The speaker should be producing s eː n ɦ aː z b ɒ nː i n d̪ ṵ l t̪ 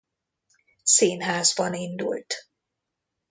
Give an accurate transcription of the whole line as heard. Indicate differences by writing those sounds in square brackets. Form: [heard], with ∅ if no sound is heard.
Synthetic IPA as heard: s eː n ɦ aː z b ɒ [n] i n d̪ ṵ l t̪